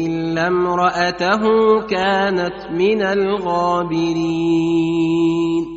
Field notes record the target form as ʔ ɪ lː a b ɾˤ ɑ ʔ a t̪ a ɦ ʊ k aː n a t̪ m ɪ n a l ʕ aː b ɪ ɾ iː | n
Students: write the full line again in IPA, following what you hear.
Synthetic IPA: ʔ ɪ lː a m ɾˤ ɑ ʔ a t̪ a ɦ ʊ k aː n a t̪ m ɪ n a l ɣ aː b ɪ ɾ iː | n